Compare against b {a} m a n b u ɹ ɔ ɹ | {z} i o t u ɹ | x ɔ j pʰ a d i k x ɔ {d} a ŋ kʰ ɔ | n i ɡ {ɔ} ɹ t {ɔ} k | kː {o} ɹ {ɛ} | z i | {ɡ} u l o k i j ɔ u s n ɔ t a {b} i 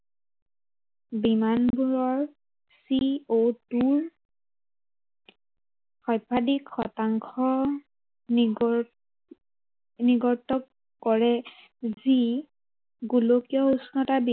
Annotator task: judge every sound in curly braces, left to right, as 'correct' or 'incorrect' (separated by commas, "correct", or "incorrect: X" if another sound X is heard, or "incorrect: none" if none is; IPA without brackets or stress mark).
incorrect: i, incorrect: s, incorrect: t, correct, correct, incorrect: ɔ, correct, correct, correct